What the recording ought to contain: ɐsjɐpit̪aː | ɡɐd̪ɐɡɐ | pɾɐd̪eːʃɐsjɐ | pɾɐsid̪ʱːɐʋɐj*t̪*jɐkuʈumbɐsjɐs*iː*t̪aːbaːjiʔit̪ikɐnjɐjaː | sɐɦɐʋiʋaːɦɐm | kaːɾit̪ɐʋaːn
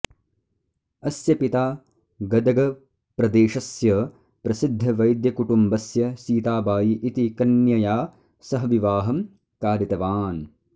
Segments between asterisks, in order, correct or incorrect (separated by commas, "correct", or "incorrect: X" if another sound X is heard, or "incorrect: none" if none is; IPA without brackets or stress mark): incorrect: d̪, correct